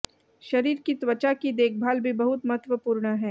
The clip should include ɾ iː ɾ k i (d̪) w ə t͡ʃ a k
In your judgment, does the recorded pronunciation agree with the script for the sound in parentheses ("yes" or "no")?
no